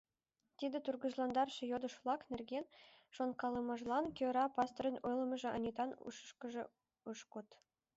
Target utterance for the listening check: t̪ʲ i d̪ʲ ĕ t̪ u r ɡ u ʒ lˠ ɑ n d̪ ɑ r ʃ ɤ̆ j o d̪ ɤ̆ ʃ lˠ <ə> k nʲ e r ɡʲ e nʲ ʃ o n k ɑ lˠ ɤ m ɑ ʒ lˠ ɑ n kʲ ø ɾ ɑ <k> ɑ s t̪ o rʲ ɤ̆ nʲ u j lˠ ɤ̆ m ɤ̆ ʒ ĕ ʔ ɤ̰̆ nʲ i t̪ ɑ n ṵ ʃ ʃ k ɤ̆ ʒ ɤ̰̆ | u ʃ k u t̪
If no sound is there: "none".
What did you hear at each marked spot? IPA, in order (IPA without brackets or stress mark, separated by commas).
ɑ, p